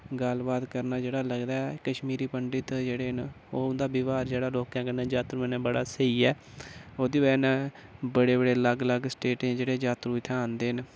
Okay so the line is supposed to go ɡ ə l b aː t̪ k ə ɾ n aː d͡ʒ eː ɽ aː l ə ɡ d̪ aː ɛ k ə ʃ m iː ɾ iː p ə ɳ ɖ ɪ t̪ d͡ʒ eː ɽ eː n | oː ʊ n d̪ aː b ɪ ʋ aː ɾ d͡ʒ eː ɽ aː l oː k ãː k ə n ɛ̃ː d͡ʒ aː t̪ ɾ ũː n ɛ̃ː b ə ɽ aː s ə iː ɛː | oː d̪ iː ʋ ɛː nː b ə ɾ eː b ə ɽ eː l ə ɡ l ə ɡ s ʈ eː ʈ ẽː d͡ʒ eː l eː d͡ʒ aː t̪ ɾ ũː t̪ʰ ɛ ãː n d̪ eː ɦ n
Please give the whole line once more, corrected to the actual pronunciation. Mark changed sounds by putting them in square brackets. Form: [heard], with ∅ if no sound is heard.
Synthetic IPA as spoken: ɡ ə l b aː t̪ k ə ɾ n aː d͡ʒ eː ɽ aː l ə ɡ d̪ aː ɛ k ə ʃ m iː ɾ iː p ə ɳ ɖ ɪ t̪ d͡ʒ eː ɽ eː n | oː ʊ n d̪ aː b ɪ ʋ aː ɾ d͡ʒ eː ɽ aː l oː k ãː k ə n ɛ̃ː d͡ʒ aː t̪ ɾ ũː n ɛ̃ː b ə ɽ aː s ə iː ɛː | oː d̪ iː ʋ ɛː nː b ə [ɽ] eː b ə ɽ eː l ə ɡ l ə ɡ s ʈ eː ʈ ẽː d͡ʒ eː [ɽ] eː d͡ʒ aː t̪ ɾ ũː t̪ʰ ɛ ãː n d̪ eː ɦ n